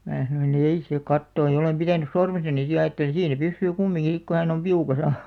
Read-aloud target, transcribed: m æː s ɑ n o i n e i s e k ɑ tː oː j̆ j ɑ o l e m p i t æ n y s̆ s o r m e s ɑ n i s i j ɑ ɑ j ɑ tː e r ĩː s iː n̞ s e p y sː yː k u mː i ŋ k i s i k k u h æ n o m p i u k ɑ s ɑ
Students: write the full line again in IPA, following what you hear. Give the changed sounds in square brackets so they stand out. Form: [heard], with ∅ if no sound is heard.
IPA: m æː s ɑ n o i n e i s e k ɑ tː oː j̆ j ɑ o l e m p i t æ n y s̆ s o r m e s ɑ n i s i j ɑ ɑ j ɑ tː e [l] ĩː s iː n̞ s e p y sː yː k u mː i ŋ k i s i k k u h æ n o m p i u k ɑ s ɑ